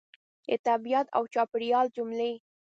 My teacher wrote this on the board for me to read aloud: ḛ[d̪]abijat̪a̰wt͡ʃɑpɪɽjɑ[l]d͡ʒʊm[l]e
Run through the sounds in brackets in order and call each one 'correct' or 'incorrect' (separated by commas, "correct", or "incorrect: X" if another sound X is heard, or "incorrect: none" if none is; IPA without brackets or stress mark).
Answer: incorrect: t̪, correct, correct